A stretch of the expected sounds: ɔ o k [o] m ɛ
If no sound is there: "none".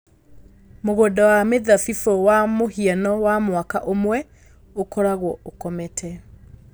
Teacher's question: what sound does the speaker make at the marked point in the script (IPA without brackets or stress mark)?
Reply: ɔ